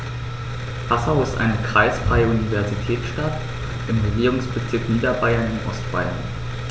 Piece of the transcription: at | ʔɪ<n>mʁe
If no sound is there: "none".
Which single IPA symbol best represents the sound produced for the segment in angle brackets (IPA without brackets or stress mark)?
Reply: none